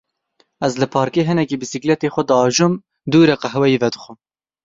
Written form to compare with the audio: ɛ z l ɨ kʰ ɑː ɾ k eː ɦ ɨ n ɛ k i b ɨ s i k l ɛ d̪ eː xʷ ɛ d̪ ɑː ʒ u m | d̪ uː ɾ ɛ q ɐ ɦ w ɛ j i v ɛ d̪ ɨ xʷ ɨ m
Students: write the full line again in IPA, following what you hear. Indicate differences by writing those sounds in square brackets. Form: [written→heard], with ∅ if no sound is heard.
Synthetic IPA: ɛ z l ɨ [kʰ→pʰ] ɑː ɾ k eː ɦ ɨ n ɛ k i b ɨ s i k l ɛ [d̪→t̪] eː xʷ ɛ d̪ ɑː ʒ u m | d̪ uː ɾ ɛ q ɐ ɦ w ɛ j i v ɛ d̪ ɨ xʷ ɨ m